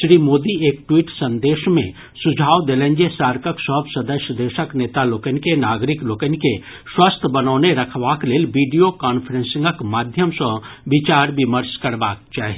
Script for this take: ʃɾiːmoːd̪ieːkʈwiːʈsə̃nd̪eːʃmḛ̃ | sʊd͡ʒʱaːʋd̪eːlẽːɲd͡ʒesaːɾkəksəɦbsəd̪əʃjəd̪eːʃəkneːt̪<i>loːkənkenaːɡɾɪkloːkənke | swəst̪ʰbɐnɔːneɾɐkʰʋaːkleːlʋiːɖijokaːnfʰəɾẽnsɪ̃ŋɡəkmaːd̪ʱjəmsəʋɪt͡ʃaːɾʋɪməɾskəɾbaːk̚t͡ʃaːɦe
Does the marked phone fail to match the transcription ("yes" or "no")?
yes